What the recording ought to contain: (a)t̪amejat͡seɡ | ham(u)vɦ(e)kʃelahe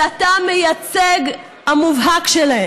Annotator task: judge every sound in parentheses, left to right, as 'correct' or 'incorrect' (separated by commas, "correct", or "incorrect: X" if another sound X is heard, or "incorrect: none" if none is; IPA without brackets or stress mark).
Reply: correct, correct, incorrect: a